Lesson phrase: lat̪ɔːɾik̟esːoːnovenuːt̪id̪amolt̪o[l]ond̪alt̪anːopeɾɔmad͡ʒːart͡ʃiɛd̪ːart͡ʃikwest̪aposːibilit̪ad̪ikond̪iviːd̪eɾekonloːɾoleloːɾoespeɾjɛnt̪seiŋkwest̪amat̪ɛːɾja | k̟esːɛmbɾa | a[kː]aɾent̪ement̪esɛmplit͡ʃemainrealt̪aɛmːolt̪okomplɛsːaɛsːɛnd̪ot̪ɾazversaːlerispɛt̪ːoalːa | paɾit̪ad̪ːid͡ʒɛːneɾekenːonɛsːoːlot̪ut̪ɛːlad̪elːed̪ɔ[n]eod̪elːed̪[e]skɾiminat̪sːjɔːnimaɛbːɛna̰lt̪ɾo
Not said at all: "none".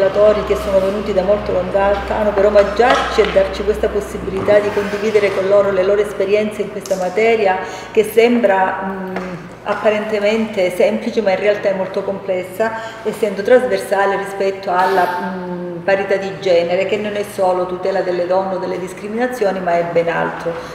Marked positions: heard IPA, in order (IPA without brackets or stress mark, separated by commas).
l, pː, nː, i